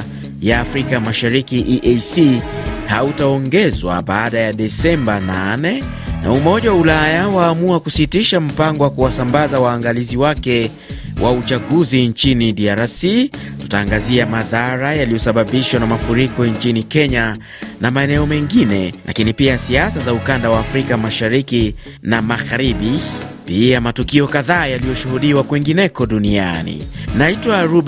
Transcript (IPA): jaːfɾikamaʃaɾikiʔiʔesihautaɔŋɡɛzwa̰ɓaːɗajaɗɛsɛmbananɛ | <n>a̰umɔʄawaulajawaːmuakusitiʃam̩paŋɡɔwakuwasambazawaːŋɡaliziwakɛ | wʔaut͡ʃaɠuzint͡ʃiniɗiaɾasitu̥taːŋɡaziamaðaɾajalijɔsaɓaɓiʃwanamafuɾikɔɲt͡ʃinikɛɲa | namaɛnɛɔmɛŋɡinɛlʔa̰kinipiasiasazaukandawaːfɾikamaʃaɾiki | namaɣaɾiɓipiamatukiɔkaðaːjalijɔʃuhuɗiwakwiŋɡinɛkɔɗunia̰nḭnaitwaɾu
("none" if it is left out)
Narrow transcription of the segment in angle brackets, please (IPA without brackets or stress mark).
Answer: n